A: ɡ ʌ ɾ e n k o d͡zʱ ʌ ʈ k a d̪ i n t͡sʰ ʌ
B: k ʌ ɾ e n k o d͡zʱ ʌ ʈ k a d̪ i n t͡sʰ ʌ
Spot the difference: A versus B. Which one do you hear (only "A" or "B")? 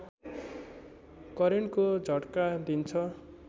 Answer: B